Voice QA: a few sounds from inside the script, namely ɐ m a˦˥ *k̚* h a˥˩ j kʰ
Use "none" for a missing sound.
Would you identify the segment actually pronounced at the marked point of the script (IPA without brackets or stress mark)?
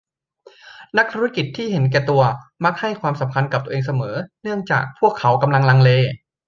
k̚